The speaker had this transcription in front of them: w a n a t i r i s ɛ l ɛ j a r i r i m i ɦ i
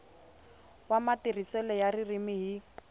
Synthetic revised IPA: w a m a t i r i s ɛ l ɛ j a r i r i m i ɦ i